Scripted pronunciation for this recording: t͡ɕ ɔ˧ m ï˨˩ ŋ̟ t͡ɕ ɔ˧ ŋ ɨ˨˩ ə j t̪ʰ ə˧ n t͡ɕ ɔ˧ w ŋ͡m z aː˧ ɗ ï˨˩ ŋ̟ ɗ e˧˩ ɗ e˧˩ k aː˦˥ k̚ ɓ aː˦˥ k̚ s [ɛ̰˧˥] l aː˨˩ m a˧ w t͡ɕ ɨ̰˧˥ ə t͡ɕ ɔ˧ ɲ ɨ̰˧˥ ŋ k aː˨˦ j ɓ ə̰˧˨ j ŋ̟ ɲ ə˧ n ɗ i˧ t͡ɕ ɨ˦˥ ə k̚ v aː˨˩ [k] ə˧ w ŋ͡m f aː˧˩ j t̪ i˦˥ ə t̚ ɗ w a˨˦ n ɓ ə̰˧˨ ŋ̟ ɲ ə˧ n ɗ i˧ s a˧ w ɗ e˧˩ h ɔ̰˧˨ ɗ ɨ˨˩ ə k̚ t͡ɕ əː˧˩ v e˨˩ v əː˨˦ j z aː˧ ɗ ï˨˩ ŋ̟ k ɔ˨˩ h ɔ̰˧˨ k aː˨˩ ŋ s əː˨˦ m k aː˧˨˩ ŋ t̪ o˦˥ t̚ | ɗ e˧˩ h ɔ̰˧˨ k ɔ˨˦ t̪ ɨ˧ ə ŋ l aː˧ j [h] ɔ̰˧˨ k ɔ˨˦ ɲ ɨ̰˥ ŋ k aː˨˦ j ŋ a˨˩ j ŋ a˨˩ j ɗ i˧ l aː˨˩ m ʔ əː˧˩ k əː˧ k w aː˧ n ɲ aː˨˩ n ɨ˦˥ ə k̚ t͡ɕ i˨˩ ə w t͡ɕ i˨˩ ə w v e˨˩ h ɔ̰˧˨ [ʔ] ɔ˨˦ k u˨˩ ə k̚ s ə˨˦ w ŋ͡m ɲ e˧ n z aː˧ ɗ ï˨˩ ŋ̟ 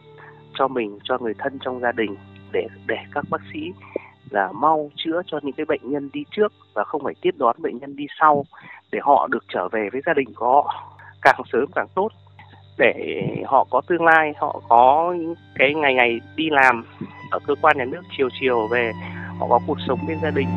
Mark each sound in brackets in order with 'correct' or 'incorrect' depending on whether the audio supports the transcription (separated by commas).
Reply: incorrect, incorrect, correct, incorrect